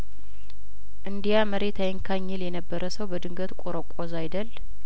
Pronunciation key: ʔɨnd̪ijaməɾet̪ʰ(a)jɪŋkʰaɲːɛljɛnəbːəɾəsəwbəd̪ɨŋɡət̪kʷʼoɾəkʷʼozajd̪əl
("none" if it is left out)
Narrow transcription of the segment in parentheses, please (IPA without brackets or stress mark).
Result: a